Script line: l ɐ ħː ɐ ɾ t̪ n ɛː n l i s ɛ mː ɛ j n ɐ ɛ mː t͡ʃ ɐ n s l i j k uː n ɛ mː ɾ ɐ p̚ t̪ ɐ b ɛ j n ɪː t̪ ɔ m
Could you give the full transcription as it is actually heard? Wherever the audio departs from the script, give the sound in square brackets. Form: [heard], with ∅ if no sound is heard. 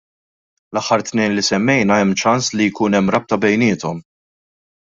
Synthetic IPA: l ɐ ħː ɐ ɾ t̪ n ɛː n l i s ɛ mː ɛ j n ɐ ɛ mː t͡ʃ ɐ n s l i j k uː n ɛ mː ɾ ɐ p̚ t̪ ɐ b ɛ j n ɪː t̪ ɔ m